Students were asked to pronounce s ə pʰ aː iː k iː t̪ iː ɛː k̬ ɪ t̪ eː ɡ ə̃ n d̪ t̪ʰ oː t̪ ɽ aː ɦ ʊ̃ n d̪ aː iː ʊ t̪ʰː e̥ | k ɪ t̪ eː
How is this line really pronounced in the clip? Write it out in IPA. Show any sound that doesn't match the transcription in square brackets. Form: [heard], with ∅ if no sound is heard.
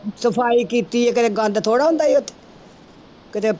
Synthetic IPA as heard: s ə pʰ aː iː k iː t̪ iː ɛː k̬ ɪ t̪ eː ɡ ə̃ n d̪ t̪ʰ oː [∅] ɽ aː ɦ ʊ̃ n d̪ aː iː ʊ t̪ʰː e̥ | k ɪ t̪ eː